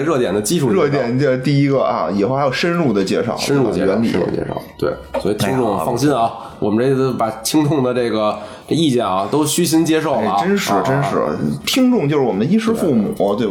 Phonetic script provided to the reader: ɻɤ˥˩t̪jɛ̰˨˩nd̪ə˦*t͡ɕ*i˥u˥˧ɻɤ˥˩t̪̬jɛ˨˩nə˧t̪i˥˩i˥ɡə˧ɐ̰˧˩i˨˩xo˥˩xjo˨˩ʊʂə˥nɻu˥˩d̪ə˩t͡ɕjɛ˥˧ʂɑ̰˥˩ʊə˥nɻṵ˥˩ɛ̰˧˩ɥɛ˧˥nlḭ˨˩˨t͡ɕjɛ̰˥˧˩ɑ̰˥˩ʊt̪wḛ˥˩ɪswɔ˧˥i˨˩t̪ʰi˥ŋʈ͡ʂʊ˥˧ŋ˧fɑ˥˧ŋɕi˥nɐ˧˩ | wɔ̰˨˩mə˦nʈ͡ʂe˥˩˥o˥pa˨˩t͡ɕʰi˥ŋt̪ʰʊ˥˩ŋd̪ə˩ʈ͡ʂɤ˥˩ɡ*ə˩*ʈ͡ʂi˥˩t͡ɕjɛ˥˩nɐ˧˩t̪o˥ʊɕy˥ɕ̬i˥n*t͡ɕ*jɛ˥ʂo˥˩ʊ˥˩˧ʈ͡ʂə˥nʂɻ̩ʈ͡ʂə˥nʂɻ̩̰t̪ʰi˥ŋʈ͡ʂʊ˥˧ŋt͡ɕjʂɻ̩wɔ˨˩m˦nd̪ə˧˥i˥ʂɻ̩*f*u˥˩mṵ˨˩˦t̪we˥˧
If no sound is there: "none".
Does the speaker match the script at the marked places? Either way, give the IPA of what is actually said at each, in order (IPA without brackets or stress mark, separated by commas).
t͡ɕ, ə˩, t͡ɕ, f